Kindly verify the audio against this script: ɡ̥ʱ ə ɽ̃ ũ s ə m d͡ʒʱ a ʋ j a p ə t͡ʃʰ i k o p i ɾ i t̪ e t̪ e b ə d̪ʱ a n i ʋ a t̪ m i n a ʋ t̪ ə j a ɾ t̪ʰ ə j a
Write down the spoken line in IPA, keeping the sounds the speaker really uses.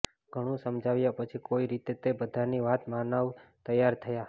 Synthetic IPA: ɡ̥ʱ ə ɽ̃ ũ s ə m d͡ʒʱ a ʋ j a p ə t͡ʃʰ i k o i ɾ i t̪ e t̪ e b ə d̪ʱ a n i ʋ a t̪ m a n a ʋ t̪ ə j a ɾ t̪ʰ ə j a